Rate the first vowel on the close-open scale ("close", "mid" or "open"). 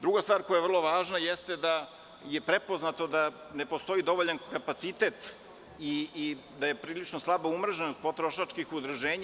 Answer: close